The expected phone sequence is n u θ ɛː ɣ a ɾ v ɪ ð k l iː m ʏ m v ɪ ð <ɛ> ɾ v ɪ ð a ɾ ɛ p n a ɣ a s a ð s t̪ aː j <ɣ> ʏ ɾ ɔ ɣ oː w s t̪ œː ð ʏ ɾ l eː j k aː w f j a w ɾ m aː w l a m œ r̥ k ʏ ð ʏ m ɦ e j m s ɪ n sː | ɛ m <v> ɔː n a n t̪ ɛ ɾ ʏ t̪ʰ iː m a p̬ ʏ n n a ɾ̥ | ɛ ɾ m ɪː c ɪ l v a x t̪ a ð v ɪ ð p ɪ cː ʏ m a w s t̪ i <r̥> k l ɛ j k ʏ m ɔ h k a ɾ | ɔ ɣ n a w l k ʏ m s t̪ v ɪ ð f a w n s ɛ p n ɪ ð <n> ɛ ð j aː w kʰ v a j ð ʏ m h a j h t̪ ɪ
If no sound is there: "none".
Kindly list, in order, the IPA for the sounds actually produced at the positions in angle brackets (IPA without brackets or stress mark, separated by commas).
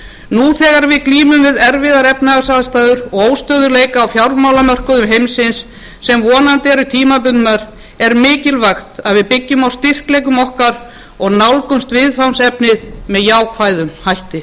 ɛ, ð, v, r̥, m